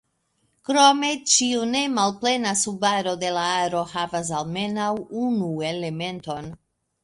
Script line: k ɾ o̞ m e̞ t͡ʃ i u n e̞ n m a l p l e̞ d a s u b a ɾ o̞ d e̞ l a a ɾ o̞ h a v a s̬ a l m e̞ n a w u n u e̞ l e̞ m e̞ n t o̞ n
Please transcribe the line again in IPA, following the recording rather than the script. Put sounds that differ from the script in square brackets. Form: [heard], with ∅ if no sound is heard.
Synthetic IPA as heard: k ɾ o̞ m e̞ t͡ʃ i u n e̞ [∅] m a l p l e̞ [n] a s u b a ɾ o̞ d e̞ l a a ɾ o̞ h a v a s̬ a l m e̞ n a w u n u e̞ l e̞ m e̞ n t o̞ n